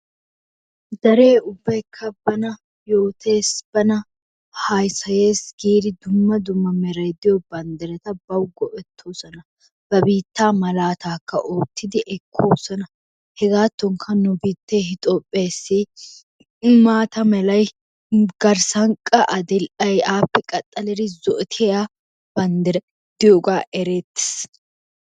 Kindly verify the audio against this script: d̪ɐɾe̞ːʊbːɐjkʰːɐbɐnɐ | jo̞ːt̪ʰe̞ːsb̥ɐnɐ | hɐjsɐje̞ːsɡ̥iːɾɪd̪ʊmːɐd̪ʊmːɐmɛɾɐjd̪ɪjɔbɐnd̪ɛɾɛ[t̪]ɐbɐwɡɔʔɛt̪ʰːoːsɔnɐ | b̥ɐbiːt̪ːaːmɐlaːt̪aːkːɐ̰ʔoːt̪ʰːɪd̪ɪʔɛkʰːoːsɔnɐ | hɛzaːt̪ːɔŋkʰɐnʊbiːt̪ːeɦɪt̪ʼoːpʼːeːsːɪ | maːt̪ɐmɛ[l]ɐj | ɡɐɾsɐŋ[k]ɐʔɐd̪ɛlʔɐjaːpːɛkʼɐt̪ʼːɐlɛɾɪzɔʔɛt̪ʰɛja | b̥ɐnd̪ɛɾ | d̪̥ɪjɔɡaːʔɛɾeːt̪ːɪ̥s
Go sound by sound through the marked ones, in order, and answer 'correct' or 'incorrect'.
correct, correct, incorrect: kʼ

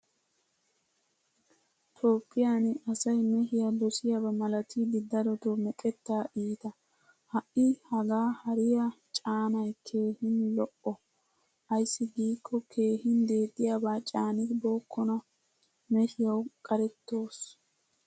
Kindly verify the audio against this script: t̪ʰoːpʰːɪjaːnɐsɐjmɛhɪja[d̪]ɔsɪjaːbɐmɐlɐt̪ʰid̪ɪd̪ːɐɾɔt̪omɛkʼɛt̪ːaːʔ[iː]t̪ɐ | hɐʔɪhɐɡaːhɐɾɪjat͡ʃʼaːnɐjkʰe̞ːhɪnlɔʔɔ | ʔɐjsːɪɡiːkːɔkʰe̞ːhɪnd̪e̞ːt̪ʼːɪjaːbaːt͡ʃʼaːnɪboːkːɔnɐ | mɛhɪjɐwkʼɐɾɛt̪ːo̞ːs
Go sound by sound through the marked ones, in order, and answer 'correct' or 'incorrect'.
correct, correct

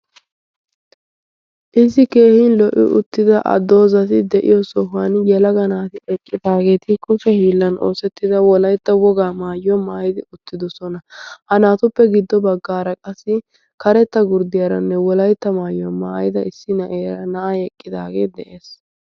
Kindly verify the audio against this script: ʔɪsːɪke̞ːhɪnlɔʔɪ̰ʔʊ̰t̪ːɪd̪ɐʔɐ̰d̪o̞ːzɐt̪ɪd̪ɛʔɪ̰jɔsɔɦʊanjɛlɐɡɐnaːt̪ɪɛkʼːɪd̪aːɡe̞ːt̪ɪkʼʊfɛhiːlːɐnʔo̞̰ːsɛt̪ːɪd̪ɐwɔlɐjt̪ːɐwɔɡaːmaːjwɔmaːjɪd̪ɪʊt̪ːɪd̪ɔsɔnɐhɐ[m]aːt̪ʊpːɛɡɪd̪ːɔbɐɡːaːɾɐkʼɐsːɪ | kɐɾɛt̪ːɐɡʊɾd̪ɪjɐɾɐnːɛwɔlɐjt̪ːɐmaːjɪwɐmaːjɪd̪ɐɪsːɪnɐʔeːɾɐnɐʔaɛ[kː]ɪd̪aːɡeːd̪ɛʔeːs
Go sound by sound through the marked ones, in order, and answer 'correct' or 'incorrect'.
incorrect: n, incorrect: kʼː

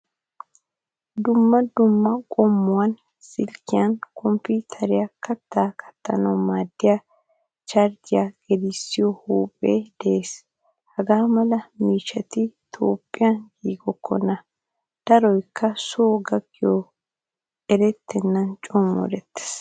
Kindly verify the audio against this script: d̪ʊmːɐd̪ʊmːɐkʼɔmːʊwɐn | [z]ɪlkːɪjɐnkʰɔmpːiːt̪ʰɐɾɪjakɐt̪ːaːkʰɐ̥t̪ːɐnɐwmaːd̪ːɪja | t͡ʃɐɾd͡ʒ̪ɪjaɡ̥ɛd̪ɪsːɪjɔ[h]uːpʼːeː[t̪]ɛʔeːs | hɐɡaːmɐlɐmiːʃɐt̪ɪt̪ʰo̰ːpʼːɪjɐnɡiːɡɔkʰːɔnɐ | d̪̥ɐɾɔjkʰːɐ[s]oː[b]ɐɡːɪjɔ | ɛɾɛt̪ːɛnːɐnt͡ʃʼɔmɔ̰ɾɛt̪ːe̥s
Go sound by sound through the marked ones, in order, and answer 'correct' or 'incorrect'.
incorrect: s, correct, incorrect: d̪, correct, incorrect: ɡ

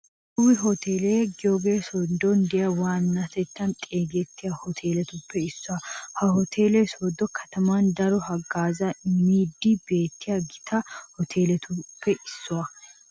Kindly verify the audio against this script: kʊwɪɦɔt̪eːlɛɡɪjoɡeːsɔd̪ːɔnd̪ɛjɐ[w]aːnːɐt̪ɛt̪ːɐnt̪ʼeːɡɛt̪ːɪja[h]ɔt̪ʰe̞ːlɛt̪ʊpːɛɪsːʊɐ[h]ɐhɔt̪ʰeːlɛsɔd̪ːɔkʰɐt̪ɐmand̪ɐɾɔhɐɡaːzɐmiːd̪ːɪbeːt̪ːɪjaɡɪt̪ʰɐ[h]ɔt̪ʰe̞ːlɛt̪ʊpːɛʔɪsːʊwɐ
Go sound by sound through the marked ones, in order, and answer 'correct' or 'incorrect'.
correct, correct, correct, correct

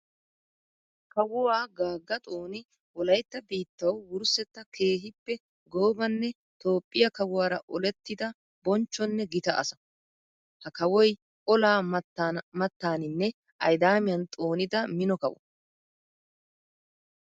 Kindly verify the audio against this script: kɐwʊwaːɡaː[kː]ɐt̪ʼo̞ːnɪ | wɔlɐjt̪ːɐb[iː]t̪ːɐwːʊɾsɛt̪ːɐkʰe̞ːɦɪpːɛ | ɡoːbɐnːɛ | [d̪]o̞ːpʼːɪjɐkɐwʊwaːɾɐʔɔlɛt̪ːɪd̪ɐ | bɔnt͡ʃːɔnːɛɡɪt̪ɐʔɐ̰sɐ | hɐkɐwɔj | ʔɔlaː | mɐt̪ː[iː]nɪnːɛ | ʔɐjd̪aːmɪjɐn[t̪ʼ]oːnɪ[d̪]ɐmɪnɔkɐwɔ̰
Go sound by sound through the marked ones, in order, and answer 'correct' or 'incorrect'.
incorrect: ɡː, correct, incorrect: t̪, incorrect: aː, correct, correct

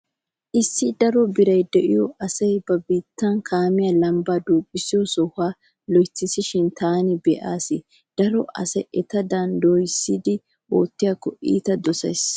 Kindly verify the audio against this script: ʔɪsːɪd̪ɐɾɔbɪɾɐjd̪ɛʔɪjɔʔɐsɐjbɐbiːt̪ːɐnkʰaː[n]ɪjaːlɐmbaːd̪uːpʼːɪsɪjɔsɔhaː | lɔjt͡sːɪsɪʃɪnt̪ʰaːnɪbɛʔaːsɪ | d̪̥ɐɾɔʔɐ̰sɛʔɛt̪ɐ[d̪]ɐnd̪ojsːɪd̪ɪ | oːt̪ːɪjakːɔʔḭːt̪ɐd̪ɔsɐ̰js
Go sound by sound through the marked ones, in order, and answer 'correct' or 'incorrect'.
incorrect: m, correct

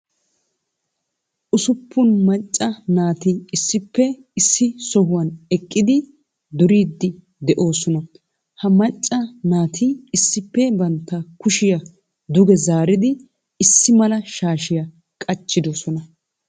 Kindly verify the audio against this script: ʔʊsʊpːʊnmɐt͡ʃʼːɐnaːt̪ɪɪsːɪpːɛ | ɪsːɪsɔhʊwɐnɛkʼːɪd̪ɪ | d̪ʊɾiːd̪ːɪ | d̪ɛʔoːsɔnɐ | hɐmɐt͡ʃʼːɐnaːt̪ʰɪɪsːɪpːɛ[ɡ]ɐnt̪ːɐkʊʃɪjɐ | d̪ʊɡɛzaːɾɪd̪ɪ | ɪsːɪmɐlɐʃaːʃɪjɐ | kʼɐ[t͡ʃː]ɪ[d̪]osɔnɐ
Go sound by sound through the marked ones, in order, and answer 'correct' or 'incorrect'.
incorrect: b, correct, correct

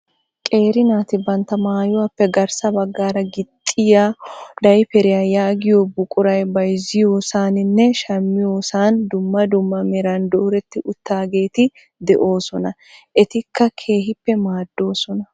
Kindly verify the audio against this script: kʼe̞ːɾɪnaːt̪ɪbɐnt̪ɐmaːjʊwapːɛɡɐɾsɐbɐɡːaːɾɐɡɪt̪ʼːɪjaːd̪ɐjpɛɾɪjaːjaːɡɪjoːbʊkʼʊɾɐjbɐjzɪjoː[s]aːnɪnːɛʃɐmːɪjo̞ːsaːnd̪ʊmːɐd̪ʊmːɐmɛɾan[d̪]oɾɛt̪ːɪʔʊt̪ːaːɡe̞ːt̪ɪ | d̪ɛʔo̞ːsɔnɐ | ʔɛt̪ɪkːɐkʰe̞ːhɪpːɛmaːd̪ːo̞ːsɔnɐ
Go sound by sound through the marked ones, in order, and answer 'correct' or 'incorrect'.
correct, correct

